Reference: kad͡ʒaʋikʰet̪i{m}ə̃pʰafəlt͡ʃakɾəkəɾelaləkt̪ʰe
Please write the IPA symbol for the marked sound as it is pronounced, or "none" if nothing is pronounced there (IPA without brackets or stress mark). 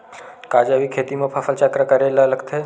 m